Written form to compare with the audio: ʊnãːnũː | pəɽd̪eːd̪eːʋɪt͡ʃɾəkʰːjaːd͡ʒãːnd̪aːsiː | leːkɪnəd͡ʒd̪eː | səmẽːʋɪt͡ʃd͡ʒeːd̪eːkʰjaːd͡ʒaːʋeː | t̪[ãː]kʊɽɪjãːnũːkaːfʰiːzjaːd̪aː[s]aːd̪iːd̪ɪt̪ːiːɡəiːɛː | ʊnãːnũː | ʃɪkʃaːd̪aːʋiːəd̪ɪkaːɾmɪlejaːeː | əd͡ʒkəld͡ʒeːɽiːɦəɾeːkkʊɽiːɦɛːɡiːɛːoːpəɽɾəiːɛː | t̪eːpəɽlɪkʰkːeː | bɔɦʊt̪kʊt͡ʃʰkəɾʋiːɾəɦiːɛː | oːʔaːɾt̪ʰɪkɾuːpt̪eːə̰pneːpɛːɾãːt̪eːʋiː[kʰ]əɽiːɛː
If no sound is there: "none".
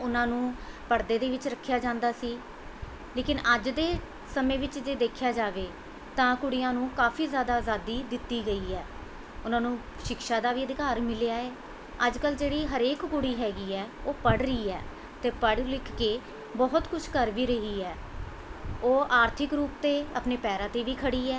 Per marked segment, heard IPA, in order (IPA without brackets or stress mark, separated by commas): ãː, z, kʰ